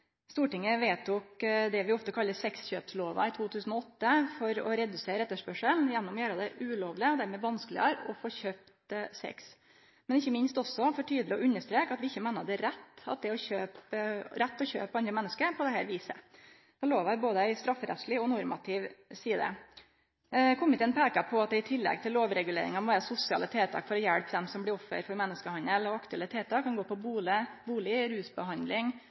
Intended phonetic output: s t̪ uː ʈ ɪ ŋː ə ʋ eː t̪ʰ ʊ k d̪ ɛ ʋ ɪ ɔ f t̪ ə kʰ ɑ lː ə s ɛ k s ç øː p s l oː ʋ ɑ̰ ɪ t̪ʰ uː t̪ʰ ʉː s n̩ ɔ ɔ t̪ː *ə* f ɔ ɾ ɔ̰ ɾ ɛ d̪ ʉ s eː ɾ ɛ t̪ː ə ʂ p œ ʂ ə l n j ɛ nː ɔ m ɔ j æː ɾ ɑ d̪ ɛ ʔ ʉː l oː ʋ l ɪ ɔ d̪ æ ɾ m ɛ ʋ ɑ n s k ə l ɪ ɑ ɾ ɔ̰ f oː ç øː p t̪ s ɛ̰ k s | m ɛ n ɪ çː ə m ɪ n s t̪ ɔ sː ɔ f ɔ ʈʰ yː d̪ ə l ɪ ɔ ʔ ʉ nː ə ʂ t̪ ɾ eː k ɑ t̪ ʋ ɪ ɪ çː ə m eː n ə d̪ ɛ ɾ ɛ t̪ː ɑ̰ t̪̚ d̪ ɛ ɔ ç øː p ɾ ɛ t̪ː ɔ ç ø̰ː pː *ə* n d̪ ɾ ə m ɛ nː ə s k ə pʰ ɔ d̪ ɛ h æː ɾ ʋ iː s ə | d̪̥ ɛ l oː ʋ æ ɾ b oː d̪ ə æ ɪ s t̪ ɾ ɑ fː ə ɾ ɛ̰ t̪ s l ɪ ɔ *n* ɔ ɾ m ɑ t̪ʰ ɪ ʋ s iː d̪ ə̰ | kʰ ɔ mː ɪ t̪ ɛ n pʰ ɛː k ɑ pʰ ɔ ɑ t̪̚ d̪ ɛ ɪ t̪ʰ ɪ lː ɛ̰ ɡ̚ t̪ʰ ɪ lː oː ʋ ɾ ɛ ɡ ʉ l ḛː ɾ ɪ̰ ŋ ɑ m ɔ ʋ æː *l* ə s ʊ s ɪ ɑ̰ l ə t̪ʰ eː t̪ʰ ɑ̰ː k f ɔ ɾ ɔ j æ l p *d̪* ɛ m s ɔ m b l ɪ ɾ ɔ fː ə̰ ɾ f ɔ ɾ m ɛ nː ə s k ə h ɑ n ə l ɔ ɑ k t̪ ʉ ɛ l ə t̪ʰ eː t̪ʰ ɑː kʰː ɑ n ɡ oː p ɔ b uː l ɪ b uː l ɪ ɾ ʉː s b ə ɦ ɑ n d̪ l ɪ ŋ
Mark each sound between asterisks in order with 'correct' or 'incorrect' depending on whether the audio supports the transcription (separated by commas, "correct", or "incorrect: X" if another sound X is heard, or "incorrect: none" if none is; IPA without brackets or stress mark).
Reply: correct, incorrect: ɑ, correct, incorrect: ɾ, correct